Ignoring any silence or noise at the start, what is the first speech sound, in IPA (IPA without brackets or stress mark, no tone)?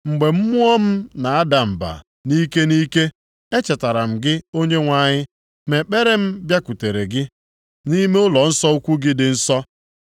ŋ͡m̩